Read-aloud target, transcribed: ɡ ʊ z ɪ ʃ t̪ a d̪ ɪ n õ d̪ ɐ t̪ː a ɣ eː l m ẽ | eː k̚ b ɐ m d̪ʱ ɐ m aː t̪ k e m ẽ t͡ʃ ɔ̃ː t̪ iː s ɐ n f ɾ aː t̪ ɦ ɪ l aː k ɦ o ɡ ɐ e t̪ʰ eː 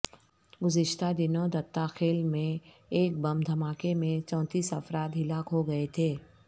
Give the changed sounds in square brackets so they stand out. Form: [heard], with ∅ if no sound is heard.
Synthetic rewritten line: ɡ ʊ z ɪ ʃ t̪ a d̪ ɪ n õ d̪ ɐ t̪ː a [x] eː l m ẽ | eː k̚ b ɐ m d̪ʱ ɐ m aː [∅] k e m ẽ t͡ʃ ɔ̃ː t̪ iː s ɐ [∅] f ɾ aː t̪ ɦ ɪ l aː k ɦ o ɡ ɐ e t̪ʰ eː